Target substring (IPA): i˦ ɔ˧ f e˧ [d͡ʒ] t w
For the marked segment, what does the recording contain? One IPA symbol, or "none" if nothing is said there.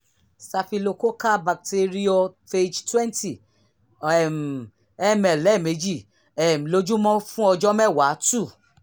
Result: d͡ʒ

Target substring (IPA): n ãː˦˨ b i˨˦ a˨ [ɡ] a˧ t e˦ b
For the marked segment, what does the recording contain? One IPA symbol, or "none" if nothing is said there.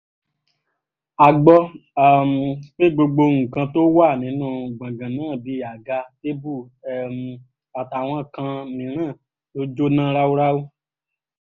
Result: ɡ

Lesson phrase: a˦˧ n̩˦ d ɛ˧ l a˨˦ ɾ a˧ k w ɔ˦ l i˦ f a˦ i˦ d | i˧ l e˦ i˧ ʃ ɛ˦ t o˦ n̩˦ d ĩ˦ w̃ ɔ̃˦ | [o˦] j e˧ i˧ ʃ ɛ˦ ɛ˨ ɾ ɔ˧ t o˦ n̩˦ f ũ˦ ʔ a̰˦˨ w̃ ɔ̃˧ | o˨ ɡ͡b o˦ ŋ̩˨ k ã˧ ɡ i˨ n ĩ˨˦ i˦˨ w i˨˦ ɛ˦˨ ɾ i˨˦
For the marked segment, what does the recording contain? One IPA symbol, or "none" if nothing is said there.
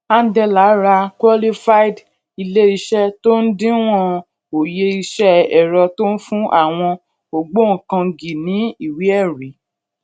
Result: o˨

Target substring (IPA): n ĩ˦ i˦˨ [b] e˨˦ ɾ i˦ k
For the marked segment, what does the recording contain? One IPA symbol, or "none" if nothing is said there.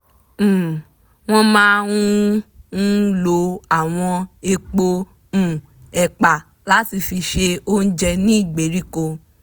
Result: ɡ͡b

